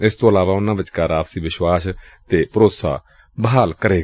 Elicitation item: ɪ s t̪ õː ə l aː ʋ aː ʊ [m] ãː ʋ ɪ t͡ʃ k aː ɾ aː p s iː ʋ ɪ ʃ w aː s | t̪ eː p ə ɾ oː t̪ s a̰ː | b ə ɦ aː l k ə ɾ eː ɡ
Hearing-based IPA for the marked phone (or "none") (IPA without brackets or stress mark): n